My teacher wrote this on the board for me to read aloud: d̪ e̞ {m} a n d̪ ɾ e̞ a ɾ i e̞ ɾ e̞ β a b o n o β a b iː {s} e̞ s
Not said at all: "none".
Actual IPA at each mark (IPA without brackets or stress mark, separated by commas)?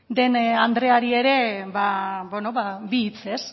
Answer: n, t͡s